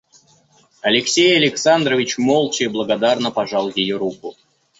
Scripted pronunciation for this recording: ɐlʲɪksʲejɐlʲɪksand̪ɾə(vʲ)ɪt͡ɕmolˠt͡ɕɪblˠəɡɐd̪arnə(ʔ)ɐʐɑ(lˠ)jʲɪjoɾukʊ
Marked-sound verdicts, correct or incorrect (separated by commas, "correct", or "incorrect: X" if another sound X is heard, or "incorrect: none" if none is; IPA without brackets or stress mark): correct, incorrect: p, correct